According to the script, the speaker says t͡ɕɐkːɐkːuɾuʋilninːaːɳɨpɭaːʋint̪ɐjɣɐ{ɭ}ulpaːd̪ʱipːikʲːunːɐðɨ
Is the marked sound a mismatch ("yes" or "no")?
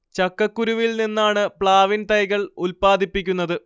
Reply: no